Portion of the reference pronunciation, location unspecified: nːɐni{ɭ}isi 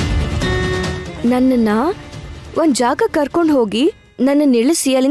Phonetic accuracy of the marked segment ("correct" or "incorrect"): correct